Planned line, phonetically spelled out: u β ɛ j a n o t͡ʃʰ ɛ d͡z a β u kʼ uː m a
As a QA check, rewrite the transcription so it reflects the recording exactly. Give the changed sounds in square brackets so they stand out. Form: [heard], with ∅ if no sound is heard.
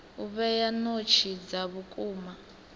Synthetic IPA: u β ɛ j a n o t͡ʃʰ [i] d͡z a β u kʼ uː m a